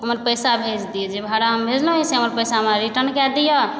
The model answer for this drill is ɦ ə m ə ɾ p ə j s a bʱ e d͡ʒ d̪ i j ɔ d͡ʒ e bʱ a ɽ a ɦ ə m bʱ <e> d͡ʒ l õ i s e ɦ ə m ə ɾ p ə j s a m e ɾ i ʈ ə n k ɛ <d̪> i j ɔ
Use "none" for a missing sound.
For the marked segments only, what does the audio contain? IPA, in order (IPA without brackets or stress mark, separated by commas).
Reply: e, d̪